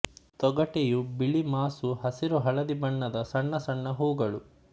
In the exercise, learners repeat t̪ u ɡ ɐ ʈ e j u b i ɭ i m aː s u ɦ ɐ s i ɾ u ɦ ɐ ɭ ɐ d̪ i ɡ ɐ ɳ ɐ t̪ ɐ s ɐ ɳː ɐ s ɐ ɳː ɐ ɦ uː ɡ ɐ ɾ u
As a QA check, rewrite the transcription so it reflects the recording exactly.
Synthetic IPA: t̪ ɔ ɡ ɐ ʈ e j u b i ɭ i m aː s u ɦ ɐ s i ɾ u ɦ ɐ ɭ ɐ d̪ i b ɐ ɳː ɐ d̪ ɐ s ɐ ɳː ɐ s ɐ ɳː ɐ ɦ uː ɡ ɐ ɭ u